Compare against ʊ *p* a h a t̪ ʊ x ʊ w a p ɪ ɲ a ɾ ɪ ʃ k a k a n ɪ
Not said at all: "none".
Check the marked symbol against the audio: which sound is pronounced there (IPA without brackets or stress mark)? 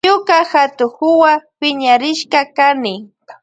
k